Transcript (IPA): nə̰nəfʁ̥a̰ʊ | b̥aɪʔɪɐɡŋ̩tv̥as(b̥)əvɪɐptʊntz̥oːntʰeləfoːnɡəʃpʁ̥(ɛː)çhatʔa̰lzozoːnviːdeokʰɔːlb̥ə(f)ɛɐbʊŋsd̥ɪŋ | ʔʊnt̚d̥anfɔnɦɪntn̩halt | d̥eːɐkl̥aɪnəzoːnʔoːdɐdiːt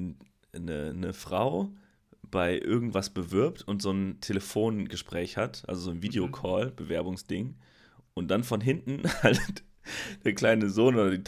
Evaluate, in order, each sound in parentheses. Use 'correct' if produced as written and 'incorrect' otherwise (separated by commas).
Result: correct, correct, incorrect